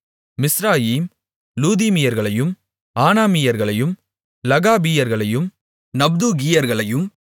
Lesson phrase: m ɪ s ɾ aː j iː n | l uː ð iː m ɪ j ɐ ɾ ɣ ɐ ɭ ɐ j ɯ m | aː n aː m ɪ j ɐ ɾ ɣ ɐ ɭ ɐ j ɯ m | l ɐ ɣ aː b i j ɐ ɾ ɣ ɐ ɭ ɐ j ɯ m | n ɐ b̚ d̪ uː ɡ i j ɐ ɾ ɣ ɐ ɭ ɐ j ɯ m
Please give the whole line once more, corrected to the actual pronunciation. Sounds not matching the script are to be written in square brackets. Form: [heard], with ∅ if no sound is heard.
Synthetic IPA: m ɪ s ɾ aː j iː [m] | l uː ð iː m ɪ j ɐ ɾ ɣ ɐ ɭ ɐ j ɯ m | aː n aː m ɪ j ɐ ɾ ɣ ɐ ɭ ɐ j ɯ m | l ɐ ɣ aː b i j ɐ ɾ ɣ ɐ ɭ ɐ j ɯ m | n ɐ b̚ d̪ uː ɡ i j ɐ ɾ ɣ ɐ ɭ ɐ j ɯ m